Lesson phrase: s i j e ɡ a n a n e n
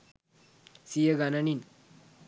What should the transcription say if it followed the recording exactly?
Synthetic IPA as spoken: s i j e ɡ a n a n i n